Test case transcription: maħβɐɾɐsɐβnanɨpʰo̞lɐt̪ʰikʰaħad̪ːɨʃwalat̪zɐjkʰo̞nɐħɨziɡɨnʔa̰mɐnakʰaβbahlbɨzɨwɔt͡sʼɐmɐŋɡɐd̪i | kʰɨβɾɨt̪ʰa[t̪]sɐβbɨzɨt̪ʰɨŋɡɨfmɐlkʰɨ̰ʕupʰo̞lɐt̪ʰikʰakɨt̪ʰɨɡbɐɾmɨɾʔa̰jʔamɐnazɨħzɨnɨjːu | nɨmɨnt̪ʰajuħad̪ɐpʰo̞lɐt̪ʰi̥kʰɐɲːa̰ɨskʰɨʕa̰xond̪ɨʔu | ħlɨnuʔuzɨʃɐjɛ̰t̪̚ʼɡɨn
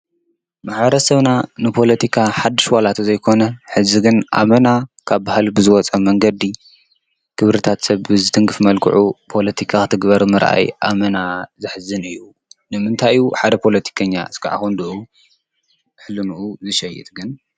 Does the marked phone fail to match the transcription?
no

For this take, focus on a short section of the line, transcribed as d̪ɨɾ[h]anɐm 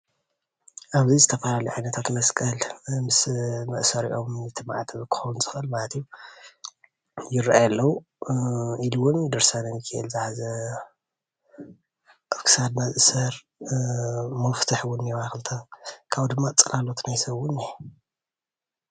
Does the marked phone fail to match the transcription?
yes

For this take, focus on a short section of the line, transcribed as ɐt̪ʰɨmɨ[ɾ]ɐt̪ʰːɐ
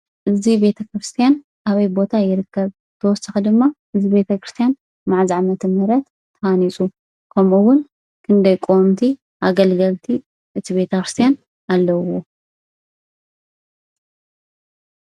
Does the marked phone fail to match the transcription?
no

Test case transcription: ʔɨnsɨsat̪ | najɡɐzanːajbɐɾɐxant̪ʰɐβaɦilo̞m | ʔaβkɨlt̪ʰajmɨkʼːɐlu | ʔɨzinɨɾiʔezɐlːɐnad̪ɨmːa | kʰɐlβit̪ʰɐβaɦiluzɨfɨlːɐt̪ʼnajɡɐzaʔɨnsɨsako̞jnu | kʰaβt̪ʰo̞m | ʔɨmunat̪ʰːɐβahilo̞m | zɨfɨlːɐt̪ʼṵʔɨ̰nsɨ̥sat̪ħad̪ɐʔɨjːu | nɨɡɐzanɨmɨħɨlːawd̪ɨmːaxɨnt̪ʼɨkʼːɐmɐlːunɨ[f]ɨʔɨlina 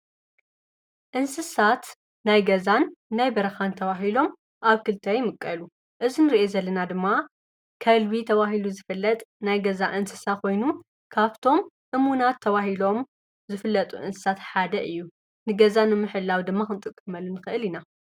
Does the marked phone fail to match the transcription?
yes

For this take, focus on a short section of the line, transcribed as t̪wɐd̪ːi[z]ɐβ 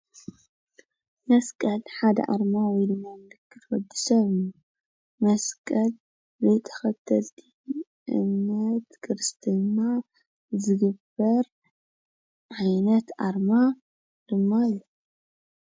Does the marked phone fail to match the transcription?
yes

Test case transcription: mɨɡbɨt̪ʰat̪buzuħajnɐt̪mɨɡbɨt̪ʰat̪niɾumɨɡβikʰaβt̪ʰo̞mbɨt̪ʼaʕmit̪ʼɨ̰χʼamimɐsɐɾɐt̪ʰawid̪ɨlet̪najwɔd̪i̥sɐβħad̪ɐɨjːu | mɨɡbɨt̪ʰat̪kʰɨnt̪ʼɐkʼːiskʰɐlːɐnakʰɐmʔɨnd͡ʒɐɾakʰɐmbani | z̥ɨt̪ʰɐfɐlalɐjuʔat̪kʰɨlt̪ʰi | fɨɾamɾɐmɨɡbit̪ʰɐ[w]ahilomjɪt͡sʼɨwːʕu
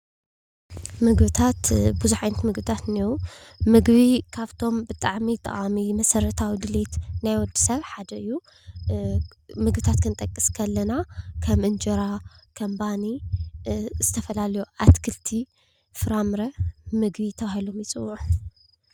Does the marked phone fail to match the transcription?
yes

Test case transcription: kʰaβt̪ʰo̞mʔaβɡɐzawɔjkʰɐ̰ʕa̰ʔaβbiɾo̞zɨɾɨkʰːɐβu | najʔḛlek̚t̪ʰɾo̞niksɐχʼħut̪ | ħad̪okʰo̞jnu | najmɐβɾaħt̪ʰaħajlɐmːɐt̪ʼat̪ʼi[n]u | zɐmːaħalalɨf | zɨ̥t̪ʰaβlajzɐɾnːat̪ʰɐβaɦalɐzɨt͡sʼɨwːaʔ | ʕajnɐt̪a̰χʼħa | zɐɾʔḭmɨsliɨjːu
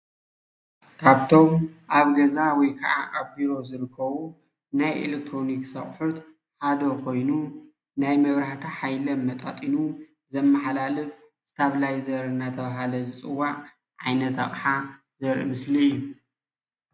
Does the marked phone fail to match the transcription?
no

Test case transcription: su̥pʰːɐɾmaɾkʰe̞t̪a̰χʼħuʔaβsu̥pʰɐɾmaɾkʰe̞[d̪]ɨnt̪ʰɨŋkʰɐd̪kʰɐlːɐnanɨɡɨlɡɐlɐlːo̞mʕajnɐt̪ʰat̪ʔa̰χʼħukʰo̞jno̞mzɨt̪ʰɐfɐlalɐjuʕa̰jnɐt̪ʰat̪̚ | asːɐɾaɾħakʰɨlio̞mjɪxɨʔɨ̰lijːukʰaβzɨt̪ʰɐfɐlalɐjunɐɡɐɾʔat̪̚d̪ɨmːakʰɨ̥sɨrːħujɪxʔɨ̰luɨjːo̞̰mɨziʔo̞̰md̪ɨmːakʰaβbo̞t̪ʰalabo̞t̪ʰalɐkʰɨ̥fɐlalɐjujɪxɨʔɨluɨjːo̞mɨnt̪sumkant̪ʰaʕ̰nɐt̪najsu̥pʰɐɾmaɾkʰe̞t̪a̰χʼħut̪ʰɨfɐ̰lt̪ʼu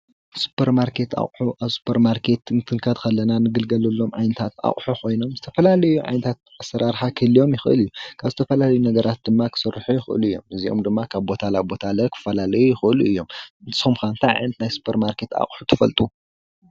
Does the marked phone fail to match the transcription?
yes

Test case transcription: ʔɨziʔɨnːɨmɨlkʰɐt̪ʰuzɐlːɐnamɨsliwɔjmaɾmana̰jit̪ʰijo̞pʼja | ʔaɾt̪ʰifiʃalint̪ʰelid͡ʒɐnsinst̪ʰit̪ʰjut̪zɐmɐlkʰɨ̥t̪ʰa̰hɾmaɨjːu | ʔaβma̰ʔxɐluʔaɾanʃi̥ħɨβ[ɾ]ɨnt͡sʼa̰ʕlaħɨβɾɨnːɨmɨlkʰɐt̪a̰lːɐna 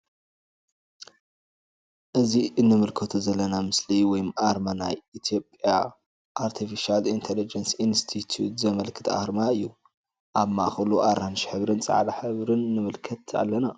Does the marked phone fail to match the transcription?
no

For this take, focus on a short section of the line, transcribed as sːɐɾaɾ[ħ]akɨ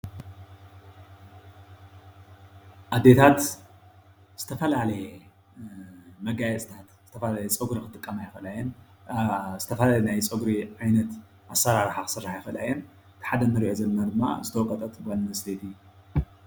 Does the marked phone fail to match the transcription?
no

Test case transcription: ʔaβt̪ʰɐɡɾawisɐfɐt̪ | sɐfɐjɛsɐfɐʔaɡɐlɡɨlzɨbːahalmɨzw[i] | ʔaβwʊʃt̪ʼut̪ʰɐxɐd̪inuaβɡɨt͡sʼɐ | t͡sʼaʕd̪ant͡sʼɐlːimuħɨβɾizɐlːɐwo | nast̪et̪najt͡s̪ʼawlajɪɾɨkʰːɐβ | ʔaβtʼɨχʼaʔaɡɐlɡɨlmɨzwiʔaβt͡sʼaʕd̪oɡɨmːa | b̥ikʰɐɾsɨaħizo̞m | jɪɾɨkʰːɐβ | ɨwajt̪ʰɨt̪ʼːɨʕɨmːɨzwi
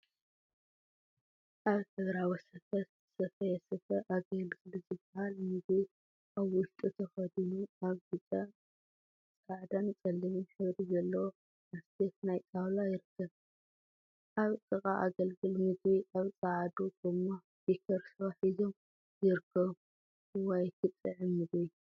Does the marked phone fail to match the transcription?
no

